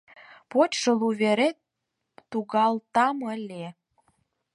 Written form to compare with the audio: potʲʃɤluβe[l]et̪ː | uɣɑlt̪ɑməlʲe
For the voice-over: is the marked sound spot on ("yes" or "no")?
no